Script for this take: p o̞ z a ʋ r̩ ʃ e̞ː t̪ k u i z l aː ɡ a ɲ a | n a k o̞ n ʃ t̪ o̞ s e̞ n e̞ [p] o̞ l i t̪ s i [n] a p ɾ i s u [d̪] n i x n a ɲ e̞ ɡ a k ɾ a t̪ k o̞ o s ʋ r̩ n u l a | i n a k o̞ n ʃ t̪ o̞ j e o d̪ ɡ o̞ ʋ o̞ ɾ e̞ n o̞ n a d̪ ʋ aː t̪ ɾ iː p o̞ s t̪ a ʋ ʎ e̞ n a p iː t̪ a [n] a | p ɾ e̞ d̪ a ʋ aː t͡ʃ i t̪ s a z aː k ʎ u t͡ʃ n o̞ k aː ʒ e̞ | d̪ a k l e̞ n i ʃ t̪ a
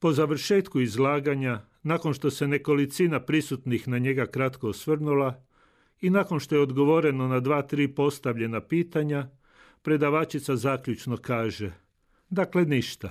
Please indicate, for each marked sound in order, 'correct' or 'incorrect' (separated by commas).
incorrect, correct, incorrect, incorrect